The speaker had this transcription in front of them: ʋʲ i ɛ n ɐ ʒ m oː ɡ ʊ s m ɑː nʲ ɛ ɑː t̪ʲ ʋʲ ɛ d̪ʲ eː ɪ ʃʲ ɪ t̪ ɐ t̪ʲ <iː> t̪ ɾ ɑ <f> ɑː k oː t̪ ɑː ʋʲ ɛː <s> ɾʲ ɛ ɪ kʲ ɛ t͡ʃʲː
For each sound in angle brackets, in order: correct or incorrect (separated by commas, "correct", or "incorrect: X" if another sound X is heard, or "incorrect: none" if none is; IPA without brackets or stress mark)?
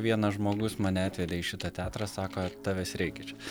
incorrect: æː, incorrect: s, correct